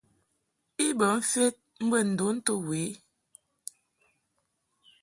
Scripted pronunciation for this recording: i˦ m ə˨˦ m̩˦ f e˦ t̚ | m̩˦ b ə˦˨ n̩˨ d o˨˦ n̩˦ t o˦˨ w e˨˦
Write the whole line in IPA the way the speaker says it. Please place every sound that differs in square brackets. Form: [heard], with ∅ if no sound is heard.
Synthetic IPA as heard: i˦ [b] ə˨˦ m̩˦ f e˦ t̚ | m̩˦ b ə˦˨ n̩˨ d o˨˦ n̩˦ t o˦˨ w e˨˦